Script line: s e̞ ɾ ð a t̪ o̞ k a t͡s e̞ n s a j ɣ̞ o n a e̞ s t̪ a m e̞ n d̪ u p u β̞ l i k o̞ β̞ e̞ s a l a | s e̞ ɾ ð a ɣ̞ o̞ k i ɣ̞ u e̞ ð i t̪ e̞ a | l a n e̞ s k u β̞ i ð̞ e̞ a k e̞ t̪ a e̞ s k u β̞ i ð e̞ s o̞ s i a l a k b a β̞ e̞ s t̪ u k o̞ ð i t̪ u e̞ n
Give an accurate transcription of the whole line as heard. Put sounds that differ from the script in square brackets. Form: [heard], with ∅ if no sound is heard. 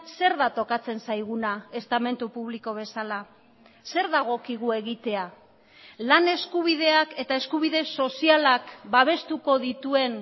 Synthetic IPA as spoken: s e̞ ɾ ð a t̪ o̞ k a t͡s e̞ n s a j ɣ̞ [u] n a e̞ s t̪ a m e̞ n [t̪] u p u β̞ l i k o̞ β̞ e̞ s a l a | s e̞ ɾ ð a ɣ̞ o̞ k i ɣ̞ u e̞ [ɣ] i t̪ e̞ a | l a n e̞ s k u β̞ i ð̞ e̞ a k e̞ t̪ a e̞ s k u β̞ i ð e̞ s o̞ s i a l a k b a β̞ e̞ s t̪ u k o̞ ð i t̪ u e̞ n